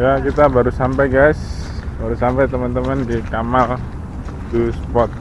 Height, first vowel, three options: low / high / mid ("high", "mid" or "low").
low